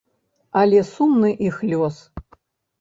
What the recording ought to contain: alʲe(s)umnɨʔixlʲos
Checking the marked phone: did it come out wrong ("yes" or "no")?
no